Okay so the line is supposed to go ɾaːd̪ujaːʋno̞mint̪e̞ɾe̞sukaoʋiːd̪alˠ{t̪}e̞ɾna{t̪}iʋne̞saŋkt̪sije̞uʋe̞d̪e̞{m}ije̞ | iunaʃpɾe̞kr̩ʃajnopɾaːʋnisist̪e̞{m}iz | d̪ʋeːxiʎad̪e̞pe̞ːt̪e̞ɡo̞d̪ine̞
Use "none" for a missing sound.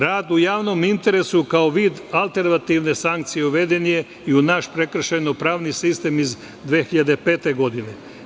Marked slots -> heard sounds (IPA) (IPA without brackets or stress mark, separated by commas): t̪, t̪, n, m